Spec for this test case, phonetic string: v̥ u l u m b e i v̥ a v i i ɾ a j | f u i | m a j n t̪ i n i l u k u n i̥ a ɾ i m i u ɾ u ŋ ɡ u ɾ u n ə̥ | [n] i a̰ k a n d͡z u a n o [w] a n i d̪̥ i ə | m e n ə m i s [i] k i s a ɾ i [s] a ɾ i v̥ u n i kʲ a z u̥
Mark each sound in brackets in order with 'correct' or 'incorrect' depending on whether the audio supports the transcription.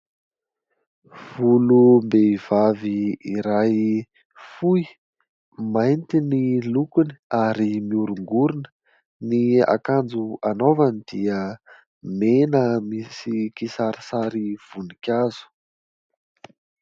correct, incorrect: v, correct, correct

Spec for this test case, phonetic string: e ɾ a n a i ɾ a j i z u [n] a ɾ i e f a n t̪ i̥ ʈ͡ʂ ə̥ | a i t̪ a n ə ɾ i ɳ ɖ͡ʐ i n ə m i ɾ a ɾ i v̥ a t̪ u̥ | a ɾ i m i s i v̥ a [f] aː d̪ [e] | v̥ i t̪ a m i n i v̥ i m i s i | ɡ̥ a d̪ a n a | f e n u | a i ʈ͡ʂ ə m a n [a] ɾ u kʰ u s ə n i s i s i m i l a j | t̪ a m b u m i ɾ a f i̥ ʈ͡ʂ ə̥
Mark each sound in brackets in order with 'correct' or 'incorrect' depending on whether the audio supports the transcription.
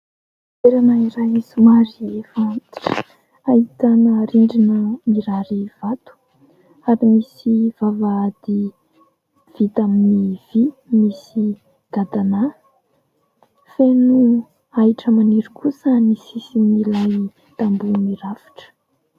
incorrect: m, incorrect: v, incorrect: i, incorrect: i

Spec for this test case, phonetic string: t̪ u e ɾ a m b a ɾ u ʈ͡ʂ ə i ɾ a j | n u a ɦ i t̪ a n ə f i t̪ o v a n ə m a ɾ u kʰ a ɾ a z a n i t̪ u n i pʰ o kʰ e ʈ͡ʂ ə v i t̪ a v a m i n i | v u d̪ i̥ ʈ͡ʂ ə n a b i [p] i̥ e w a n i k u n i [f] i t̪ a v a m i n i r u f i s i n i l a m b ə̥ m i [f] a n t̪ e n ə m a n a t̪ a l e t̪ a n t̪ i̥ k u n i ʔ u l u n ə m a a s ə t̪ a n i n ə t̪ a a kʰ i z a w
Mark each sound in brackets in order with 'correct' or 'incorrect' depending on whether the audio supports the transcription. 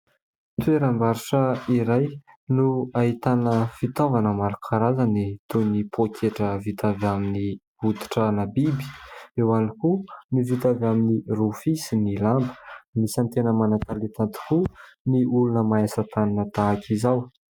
incorrect: b, incorrect: v, incorrect: s

